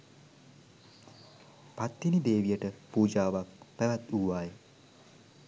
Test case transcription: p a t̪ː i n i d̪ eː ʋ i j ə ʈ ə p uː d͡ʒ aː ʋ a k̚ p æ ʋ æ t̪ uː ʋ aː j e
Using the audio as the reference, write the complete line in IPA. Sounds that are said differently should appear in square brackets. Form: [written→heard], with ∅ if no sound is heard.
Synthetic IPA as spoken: p a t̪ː i n i d̪ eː ʋ i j ə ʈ ə p uː d͡ʒ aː ʋ a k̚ p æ ʋ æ t̪ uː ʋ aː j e